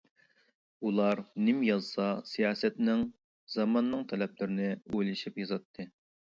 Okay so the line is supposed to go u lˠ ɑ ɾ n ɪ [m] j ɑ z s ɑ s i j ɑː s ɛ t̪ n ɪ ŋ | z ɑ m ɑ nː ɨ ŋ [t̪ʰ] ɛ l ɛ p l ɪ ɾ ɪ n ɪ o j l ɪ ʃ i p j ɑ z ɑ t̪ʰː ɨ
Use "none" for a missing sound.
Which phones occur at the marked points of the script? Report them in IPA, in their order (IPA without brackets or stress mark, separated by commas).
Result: m, t̪ʰ